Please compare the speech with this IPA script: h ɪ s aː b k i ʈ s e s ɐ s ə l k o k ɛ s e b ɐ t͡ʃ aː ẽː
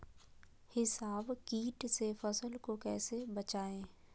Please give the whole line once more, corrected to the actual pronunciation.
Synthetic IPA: h ɪ s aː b k iː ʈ s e f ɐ s ə l k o k ɛː s e b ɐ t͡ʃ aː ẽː